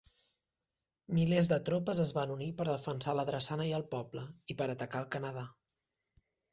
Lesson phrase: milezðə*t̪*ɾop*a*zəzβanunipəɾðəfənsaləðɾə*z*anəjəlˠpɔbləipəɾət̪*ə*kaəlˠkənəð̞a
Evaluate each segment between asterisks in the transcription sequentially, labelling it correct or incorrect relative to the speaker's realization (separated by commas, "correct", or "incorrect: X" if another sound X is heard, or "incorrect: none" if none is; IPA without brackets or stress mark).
correct, incorrect: ə, incorrect: s, correct